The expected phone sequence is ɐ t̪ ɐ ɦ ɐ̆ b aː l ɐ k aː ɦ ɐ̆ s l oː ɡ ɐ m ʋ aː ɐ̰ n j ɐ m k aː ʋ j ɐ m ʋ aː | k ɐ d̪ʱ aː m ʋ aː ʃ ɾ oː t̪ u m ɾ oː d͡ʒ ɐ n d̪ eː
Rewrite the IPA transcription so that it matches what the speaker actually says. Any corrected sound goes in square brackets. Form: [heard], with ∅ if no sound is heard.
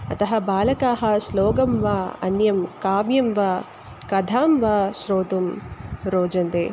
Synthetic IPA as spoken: ɐ t̪ ɐ ɦ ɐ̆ b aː l ɐ k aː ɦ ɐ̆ s l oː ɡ ɐ m ʋ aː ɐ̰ n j ɐ m k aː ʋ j ɐ m ʋ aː | k ɐ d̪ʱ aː m ʋ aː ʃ ɾ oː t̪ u m ɾ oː d͡ʒ ɐ n d̪ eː